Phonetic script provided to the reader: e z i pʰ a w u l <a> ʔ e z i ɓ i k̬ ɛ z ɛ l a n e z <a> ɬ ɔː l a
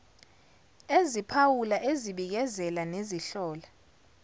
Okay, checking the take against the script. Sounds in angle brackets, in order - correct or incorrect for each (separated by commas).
correct, incorrect